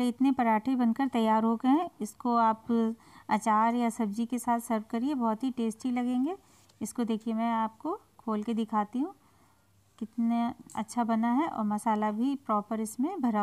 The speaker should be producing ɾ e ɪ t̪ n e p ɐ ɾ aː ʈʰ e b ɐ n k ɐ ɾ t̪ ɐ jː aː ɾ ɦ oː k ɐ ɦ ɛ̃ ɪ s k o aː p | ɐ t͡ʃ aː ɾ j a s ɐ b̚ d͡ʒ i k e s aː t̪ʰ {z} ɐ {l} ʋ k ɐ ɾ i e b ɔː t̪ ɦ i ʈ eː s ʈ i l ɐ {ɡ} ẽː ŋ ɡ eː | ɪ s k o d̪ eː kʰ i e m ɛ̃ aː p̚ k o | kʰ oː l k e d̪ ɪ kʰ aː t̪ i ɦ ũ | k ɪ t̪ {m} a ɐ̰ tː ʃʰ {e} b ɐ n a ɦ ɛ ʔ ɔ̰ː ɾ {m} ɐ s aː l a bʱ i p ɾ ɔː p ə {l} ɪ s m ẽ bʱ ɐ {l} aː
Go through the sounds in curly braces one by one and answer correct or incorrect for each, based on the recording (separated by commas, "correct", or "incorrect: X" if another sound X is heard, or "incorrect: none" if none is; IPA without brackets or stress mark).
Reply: incorrect: s, incorrect: ɾ, correct, incorrect: n, incorrect: a, correct, incorrect: ɾ, incorrect: ɾ